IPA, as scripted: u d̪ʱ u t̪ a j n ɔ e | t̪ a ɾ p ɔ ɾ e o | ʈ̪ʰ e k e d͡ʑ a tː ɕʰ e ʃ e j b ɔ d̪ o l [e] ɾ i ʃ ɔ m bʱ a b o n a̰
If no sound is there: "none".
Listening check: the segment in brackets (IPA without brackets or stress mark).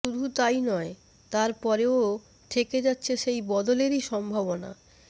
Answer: e